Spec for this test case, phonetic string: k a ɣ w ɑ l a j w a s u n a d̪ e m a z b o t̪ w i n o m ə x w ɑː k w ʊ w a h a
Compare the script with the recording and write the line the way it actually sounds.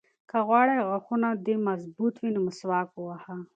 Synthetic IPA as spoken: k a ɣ w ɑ ɽ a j ɣ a x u n a d̪ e m a z b u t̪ w i n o m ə s w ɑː k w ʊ w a h a